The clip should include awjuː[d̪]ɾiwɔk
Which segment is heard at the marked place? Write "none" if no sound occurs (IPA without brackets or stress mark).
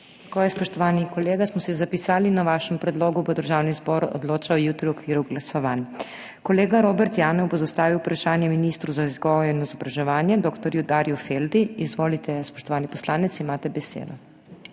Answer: t̪